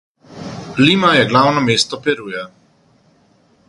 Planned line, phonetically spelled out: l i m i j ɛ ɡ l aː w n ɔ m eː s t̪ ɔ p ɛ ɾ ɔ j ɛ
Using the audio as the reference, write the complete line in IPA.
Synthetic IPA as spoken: l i m a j ɛ ɡ l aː w n ɔ m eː s t̪ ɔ p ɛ ɾ u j ɛ

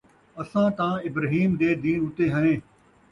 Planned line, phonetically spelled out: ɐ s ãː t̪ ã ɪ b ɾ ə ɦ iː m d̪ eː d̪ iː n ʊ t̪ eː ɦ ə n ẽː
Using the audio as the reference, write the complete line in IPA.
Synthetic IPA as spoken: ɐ s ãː t̪ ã ɪ b ɾ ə ɦ iː m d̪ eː d̪ iː n ʊ t̪ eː ɦ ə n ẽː

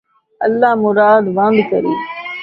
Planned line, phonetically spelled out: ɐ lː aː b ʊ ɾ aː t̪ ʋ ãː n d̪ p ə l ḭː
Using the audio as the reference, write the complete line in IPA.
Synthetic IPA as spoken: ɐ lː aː m ʊ ɾ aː d̪ ʋ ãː n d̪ k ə ɾ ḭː

